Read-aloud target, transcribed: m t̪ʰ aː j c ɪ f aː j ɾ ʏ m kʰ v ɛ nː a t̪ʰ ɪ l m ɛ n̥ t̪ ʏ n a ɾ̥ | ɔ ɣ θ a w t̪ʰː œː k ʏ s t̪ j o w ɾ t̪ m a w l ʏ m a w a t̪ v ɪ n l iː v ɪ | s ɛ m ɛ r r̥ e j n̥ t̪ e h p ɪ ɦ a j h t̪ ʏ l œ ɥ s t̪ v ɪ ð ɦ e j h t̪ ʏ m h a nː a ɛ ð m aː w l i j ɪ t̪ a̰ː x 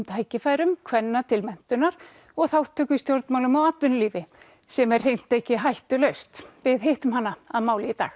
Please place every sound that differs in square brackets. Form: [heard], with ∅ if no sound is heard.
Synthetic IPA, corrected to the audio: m t̪ʰ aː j c ɪ f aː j ɾ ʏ m kʰ v ɛ nː a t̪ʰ ɪ l m ɛ n̥ t̪ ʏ n a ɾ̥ | ɔ ɣ θ a w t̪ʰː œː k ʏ s t̪ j o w ɾ t̪ m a w l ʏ m a w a t̪ v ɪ n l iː v ɪ | s ɛ m ɛ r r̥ e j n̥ t̪ e h [c] ɪ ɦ a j h t̪ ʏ l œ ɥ s t̪ v ɪ ð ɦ e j h t̪ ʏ m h a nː a [a] ð m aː w l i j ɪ t̪ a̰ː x